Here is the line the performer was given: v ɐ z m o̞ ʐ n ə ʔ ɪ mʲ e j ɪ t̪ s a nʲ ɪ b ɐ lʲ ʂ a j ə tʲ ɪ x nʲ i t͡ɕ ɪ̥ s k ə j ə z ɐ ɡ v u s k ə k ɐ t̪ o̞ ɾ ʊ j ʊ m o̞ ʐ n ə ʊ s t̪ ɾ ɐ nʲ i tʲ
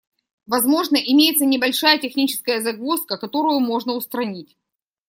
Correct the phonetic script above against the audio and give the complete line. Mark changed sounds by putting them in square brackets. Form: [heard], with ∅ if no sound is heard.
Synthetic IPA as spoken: v ɐ z m o̞ ʐ n ə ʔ ɪ mʲ e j ɪ t̪ s [ə] nʲ ɪ b ɐ lʲ ʂ a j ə tʲ ɪ x nʲ i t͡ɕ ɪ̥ s k ə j ə z ɐ ɡ v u s k ə k ɐ t̪ o̞ ɾ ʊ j ʊ m o̞ ʐ n ə ʊ s t̪ ɾ ɐ nʲ i tʲ